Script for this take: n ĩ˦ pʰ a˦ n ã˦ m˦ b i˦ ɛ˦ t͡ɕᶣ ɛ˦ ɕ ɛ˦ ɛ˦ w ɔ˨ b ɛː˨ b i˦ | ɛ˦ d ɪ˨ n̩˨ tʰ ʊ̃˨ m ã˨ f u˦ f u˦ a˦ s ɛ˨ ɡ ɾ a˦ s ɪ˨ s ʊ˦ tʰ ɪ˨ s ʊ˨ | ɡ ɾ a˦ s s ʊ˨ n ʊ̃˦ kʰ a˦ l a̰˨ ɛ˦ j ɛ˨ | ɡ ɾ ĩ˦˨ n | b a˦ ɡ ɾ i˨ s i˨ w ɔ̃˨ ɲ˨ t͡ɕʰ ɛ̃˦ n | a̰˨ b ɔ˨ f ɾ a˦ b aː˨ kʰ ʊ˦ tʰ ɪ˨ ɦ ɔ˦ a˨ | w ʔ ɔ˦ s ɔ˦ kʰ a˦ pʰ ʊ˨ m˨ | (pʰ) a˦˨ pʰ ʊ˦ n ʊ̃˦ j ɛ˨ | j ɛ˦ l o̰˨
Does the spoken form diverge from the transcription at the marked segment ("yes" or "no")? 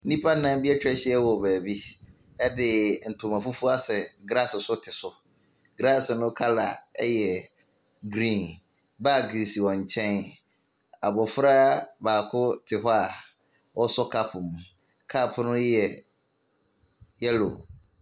yes